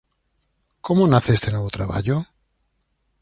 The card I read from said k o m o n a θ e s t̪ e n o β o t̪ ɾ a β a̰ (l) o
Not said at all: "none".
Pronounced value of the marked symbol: ʎ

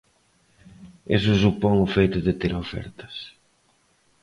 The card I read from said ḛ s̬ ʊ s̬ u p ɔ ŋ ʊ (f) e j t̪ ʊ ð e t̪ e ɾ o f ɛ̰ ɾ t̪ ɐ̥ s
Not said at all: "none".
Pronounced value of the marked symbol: f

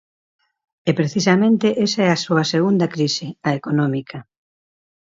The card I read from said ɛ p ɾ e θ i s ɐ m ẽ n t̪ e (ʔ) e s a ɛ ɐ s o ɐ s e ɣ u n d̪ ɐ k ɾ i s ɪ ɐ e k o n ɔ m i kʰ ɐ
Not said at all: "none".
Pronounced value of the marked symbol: ʔ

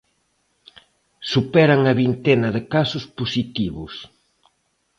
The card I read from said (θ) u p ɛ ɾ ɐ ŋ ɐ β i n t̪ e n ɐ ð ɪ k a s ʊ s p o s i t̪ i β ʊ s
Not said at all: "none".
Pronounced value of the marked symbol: s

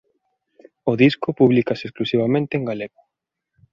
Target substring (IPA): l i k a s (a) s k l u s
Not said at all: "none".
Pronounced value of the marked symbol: e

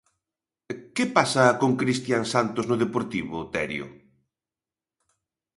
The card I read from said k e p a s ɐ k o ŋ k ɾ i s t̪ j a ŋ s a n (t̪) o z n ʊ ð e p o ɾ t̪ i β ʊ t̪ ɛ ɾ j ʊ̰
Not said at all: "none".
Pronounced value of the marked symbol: t̪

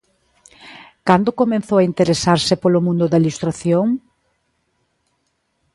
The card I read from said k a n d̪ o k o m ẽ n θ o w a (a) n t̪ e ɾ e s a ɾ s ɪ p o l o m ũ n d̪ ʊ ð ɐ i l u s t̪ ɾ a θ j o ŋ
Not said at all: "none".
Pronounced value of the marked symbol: i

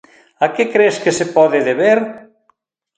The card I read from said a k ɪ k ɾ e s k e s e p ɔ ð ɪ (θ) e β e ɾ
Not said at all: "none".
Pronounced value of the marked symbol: ð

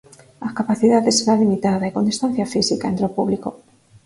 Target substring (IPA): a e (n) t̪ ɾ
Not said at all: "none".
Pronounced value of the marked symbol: n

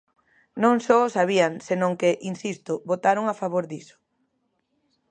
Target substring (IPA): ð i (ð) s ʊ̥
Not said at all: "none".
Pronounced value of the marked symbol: none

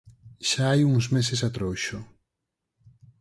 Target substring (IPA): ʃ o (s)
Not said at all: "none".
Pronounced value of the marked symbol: none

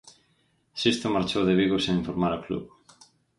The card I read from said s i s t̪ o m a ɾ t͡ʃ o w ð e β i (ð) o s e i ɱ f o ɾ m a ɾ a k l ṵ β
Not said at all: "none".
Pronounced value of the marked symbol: ɣ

